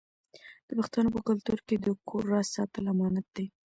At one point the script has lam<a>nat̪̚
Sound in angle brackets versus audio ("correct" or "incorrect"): incorrect